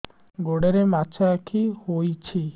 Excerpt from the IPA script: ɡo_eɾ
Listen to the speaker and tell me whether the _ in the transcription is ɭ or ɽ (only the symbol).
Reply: ɽ